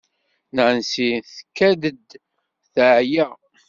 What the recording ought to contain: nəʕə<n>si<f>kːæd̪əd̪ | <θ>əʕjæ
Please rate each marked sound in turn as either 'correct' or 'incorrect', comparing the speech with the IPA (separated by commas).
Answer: correct, incorrect, correct